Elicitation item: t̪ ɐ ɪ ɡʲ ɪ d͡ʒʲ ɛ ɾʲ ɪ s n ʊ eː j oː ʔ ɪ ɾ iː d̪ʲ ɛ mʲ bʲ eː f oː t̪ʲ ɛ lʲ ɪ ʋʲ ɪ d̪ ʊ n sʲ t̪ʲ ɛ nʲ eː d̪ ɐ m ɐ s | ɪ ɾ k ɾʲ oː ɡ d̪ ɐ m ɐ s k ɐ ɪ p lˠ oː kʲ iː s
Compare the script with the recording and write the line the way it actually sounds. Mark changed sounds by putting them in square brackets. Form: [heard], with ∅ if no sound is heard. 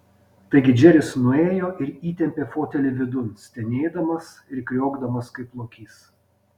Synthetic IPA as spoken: t̪ ɐ ɪ ɡʲ ɪ d͡ʒʲ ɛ ɾʲ ɪ s n ʊ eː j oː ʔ ɪ ɾ iː [t̪ʲ] ɛ mʲ [pʲ] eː f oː t̪ʲ ɛ lʲ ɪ ʋʲ ɪ d̪ ʊ n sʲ t̪ʲ ɛ nʲ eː d̪ ɐ m ɐ s | ɪ ɾ k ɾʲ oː ɡ d̪ ɐ m ɐ s k ɐ ɪ p lˠ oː kʲ iː s